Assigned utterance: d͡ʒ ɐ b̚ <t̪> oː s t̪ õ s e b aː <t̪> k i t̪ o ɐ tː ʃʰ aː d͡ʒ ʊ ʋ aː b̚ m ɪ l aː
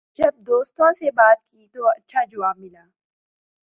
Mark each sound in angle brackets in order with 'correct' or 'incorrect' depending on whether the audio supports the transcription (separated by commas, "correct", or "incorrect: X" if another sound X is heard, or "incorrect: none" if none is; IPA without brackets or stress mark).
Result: incorrect: d̪, correct